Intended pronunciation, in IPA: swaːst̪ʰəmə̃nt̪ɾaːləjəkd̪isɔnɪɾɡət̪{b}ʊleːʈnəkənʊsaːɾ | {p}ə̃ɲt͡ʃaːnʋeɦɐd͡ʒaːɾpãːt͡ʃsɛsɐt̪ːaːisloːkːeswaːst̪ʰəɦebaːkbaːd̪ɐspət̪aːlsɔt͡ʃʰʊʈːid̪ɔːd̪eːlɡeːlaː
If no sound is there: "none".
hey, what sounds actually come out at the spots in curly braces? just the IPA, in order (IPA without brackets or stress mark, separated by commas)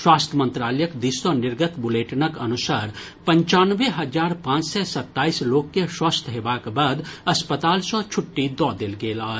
b, p